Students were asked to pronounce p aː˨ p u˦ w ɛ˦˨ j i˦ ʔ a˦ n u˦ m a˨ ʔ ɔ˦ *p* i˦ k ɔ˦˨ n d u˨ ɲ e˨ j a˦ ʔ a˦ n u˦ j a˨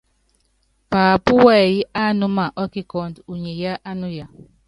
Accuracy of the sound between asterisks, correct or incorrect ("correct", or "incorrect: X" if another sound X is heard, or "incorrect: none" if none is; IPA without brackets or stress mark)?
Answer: incorrect: k